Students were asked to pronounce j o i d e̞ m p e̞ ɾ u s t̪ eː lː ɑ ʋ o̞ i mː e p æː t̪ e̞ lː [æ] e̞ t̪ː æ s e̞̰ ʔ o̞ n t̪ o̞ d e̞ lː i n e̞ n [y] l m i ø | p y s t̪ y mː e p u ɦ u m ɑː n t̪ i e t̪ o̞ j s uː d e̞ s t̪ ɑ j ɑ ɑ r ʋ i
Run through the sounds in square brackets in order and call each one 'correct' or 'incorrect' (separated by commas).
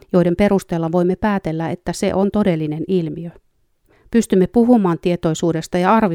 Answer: correct, incorrect